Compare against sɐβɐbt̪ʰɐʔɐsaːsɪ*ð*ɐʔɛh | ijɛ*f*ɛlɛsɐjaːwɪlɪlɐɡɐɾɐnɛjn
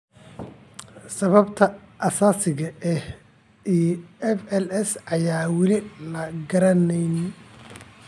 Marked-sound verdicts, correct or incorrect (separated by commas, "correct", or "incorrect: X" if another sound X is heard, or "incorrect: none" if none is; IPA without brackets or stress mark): incorrect: ɣ, correct